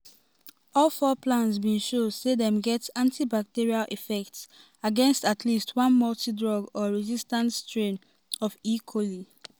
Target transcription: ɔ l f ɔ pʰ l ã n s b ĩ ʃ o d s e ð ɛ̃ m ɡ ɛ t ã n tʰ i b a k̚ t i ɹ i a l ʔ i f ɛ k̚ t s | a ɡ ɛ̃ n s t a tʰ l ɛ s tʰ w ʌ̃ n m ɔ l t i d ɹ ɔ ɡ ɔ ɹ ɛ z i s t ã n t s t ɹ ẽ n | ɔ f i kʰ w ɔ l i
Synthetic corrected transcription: ɔ l f ɔ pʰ l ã n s b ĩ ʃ o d s e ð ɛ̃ m ɡ ɛ t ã n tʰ i b a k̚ t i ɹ i a l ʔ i f ɛ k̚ t s | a ɡ ɛ̃ n s t a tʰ l i s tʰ w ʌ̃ n m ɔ l t i d ɹ ɔ ɡ ɔ ɹ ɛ z i s t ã n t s t ɹ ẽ n | ɔ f i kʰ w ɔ l i